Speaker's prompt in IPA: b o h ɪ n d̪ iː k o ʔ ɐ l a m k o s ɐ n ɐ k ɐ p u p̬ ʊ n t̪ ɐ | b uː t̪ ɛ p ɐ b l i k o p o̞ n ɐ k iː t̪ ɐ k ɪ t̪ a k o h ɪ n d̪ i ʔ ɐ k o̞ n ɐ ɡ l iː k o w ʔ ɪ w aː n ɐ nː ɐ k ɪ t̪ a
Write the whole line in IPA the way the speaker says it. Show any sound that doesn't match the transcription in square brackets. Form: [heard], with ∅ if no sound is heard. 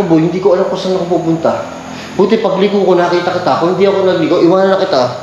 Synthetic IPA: b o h ɪ n d̪ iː k o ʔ ɐ l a m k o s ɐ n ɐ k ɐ p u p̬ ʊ n t̪ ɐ | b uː t̪ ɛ p ɐ [ɡ] l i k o [k] o̞ n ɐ k iː t̪ ɐ k ɪ t̪ a k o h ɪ n d̪ i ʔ ɐ k o̞ n ɐ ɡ l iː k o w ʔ ɪ w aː n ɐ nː ɐ k ɪ t̪ a